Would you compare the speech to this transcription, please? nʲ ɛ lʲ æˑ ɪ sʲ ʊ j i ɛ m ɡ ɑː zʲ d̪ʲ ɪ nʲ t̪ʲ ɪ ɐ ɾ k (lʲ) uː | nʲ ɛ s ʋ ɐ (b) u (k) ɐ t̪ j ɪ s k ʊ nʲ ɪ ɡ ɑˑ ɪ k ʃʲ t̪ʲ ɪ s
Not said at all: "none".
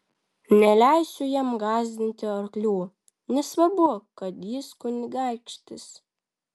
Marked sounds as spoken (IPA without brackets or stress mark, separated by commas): lʲ, b, k